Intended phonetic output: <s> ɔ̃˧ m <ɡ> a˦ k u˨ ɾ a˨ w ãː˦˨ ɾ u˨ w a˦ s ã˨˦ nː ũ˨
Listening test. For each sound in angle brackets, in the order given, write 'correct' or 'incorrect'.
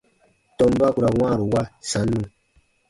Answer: incorrect: t, incorrect: b

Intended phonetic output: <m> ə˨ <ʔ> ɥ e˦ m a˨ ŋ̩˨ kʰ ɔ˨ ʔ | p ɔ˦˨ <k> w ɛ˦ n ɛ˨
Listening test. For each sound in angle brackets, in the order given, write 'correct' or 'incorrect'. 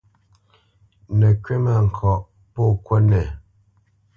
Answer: incorrect: n, incorrect: k, correct

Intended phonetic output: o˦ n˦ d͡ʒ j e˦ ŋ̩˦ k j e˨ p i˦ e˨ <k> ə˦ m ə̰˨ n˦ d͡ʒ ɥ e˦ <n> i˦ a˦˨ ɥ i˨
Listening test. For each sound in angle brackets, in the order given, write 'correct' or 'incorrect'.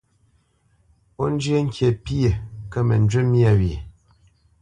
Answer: correct, incorrect: m

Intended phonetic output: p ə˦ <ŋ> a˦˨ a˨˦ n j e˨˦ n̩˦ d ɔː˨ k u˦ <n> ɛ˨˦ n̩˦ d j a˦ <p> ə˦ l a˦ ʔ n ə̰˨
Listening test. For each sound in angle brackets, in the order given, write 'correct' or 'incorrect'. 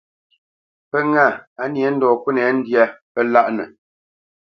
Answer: correct, correct, correct

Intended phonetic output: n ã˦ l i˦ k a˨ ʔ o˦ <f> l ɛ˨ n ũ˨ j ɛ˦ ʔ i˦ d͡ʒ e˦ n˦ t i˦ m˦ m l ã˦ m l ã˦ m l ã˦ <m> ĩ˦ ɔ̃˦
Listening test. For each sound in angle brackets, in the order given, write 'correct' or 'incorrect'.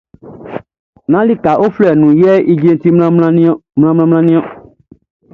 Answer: correct, incorrect: n

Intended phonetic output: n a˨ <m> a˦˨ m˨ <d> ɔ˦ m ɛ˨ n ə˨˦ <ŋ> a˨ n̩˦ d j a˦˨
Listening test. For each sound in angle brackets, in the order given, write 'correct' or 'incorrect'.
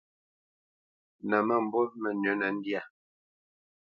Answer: correct, incorrect: b, incorrect: n

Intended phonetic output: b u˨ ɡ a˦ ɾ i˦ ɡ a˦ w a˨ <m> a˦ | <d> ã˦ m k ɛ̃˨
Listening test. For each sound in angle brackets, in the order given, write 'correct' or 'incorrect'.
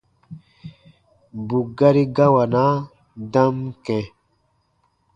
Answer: incorrect: n, correct

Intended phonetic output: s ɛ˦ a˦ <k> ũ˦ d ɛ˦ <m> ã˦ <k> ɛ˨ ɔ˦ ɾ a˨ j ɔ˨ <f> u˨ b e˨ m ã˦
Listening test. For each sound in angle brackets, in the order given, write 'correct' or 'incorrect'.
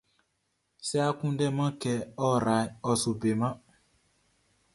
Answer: correct, correct, correct, incorrect: s

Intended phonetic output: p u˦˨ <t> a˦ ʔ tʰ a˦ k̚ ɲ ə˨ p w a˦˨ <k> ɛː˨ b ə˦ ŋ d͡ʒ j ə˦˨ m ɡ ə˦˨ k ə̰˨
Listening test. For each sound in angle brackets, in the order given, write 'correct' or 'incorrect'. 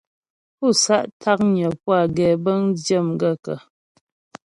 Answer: incorrect: s, incorrect: ɡ

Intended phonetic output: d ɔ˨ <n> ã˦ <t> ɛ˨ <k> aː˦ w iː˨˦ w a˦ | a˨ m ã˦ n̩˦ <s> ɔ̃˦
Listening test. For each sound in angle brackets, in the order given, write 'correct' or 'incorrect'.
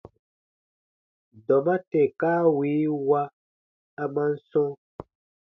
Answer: incorrect: m, correct, correct, correct

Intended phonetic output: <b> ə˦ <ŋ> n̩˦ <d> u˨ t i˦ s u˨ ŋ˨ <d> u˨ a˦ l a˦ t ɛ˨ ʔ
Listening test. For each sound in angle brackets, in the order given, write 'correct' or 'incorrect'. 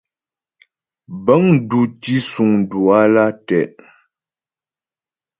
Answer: correct, correct, correct, correct

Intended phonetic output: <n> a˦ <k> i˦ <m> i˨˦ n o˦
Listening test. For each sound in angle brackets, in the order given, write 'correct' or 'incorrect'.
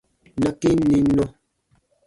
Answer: correct, correct, incorrect: n

